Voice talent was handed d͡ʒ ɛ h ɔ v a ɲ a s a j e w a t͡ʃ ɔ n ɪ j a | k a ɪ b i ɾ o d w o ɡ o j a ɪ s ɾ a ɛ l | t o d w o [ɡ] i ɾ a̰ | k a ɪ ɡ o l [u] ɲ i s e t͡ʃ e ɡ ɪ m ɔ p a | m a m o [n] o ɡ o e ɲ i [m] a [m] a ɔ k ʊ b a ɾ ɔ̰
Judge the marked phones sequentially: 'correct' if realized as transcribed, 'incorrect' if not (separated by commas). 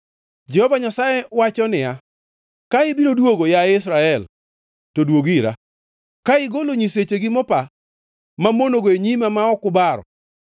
correct, incorrect, correct, correct, correct